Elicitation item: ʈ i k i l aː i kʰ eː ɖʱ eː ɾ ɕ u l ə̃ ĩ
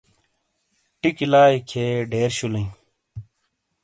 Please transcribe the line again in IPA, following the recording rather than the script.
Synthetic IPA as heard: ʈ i k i l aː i kʰ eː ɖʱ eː ɾ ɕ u l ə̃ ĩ